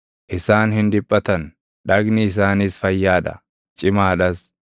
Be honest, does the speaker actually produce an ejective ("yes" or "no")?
yes